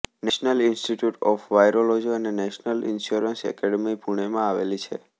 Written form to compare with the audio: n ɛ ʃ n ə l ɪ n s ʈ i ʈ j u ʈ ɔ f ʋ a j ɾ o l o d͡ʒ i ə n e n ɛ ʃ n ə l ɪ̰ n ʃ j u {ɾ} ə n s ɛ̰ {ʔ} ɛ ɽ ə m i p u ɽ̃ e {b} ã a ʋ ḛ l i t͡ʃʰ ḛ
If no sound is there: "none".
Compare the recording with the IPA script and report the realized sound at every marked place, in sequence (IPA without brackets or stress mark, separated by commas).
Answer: ɾ, k, m